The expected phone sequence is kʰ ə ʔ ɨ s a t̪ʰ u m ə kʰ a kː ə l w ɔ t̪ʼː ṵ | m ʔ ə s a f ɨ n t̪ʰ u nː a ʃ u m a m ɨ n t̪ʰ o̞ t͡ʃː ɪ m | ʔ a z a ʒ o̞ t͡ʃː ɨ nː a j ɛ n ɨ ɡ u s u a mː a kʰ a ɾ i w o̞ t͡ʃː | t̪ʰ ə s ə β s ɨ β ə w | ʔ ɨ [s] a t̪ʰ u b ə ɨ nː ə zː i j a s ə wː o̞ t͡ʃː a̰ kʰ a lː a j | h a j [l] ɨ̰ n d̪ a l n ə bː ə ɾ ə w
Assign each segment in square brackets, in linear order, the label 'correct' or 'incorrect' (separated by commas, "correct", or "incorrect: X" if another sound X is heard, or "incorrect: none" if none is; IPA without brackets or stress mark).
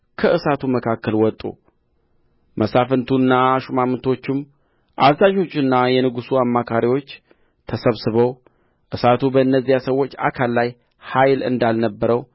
correct, correct